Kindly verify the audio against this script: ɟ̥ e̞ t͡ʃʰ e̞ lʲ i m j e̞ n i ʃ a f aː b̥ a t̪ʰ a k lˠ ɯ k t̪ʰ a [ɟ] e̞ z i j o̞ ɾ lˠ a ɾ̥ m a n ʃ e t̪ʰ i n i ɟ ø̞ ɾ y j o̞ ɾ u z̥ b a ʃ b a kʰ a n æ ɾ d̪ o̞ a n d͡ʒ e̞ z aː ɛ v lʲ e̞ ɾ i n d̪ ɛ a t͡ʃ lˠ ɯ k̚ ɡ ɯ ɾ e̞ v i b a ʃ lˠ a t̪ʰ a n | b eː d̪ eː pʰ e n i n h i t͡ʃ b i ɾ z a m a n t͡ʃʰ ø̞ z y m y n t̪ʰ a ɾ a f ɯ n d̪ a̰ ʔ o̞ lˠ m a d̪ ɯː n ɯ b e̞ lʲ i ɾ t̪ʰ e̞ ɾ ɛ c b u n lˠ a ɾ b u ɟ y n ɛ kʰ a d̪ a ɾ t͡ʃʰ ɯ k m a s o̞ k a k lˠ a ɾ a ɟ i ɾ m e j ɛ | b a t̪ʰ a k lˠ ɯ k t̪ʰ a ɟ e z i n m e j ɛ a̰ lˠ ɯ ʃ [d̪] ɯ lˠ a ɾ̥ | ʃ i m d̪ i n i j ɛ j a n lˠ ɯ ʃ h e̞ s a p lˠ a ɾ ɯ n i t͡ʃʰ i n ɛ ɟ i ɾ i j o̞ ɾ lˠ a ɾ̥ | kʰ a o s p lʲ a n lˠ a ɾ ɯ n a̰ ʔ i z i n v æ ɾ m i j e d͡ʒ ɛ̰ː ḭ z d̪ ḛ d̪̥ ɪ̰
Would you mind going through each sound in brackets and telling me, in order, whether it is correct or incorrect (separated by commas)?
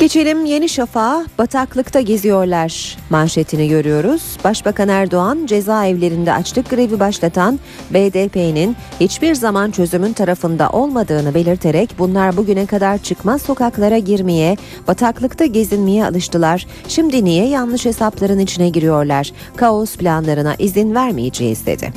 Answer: correct, incorrect